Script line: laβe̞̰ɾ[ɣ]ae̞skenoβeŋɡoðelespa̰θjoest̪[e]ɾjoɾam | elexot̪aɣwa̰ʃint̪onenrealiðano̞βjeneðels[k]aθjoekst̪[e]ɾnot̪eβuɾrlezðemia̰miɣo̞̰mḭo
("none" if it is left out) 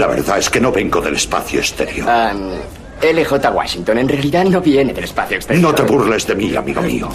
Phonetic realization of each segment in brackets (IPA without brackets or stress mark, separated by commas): ð, e, p, e